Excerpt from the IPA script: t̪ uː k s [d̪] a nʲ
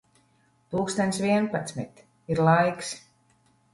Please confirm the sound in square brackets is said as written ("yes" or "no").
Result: no